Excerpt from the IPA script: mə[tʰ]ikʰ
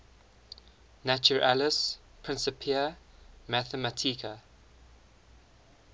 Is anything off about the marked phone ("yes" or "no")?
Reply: no